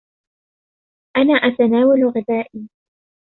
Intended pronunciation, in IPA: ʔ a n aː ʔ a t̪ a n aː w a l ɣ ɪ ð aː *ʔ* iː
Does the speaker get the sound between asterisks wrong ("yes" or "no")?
no